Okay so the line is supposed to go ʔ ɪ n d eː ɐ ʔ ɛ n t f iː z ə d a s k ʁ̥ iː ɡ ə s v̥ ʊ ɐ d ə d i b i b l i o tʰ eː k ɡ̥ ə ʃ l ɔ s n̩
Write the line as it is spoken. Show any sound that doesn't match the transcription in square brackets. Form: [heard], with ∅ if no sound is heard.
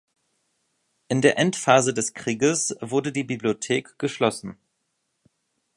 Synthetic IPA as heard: ʔ ɪ n d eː ɐ ʔ ɛ n t f [aː] z ə d [ɛ] s k ʁ̥ iː ɡ ə s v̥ ʊ ɐ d ə d [iː] b i b l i o tʰ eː k ɡ̥ ə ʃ l ɔ s n̩